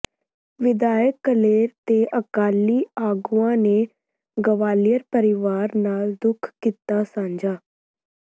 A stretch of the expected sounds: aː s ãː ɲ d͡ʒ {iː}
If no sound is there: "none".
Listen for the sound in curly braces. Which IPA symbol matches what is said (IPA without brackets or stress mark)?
aː